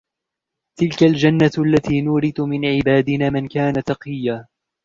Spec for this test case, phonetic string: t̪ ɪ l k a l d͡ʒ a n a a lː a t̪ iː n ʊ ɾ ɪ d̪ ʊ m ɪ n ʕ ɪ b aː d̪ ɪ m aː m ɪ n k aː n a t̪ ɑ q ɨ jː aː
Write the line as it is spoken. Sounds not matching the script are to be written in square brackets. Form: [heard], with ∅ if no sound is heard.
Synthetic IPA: t̪ ɪ l k a l d͡ʒ a [nː] a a lː a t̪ iː n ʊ ɾ ɪ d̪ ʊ m ɪ n ʕ ɪ b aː d̪ ɪ [n] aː m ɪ n k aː n a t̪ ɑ q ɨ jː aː